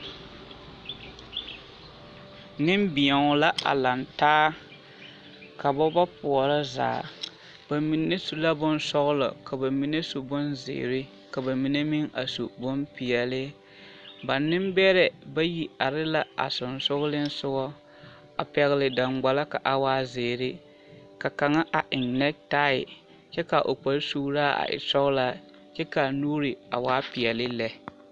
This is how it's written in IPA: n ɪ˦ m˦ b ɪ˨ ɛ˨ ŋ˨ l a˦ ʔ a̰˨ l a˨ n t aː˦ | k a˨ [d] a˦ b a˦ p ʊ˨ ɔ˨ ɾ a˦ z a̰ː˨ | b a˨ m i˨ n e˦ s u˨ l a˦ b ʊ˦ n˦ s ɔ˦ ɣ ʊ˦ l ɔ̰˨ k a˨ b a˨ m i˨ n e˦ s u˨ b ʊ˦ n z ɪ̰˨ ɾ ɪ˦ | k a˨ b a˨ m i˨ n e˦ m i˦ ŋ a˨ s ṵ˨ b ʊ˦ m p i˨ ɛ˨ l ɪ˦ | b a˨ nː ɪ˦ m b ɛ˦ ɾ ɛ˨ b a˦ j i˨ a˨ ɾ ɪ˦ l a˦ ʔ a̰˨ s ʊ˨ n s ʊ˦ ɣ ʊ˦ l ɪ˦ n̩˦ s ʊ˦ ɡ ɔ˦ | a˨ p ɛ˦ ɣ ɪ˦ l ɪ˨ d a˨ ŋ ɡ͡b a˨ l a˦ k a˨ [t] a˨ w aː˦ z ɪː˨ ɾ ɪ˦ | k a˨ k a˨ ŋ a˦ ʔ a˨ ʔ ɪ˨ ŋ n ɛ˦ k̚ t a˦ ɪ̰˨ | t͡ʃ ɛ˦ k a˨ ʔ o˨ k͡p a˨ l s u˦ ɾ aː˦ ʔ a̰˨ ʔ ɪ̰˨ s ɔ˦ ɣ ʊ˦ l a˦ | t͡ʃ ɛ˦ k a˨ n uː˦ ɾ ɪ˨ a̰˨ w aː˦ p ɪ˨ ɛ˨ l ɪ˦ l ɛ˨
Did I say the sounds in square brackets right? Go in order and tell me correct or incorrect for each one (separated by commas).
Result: incorrect, incorrect